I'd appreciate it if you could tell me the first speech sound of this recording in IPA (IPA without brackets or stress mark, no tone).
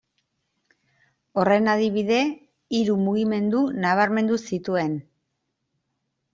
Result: o̞